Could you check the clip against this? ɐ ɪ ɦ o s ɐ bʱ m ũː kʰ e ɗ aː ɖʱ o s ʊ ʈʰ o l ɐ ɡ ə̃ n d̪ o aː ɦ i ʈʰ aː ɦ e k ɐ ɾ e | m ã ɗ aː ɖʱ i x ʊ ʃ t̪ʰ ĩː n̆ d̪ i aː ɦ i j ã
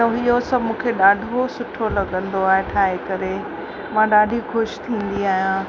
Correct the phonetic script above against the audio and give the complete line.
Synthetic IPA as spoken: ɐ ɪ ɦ o s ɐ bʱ m ũː kʰ e ɗ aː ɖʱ o s ʊ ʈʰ o l ɐ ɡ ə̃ n d̪ o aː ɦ e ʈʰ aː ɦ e k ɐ ɾ e | m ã ɗ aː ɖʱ i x ʊ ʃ t̪ʰ ĩː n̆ d̪ i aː ɦ i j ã